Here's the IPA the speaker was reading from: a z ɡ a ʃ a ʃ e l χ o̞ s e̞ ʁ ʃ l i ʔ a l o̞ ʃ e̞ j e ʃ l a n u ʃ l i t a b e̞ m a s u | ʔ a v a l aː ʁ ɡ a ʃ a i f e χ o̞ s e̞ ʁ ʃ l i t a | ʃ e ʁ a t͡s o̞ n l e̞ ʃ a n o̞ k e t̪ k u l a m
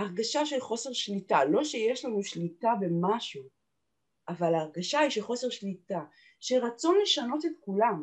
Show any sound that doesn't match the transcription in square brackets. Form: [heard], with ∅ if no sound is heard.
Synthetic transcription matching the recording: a [ʁ] ɡ a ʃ a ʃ e l χ o̞ s e̞ ʁ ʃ l i [t] a l o̞ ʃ e̞ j e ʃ l a n u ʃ l i t a b e̞ m a [ʃ] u | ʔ a v a l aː ʁ ɡ a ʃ a i [ʃ] e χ o̞ s e̞ ʁ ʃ l i t a | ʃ e ʁ a t͡s o̞ n l e̞ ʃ a n o̞ [t] e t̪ k u l a m